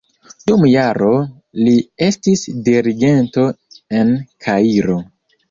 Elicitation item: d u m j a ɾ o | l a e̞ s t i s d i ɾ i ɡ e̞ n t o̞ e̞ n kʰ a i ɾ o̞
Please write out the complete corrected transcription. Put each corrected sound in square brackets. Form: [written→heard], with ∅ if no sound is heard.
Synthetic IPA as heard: d u m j a ɾ o | l [a→i] e̞ s t i s d i ɾ i ɡ e̞ n t o̞ e̞ n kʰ a i ɾ o̞